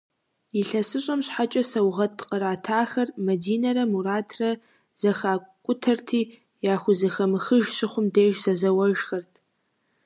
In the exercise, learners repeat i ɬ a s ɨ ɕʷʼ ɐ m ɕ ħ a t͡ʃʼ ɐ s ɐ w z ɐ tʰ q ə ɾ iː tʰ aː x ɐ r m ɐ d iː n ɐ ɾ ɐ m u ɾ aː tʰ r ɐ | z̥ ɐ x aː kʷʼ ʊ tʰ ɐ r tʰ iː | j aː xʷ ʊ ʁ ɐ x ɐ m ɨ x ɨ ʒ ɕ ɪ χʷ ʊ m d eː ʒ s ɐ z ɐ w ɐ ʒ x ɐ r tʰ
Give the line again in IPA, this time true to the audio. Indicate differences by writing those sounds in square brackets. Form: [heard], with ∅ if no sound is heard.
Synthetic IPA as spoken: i ɬ [ɐ] s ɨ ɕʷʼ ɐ m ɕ ħ a t͡ʃʼ ɐ s ɐ w [ʁ] ɐ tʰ q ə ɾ [aː] tʰ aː x ɐ r m ɐ d iː n ɐ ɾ ɐ m u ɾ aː tʰ r ɐ | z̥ ɐ x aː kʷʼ ʊ tʰ ɐ r tʰ iː | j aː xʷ ʊ [z] ɐ x ɐ m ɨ x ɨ ʒ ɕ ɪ χʷ ʊ m d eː ʒ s ɐ z ɐ w ɐ ʒ x ɐ r tʰ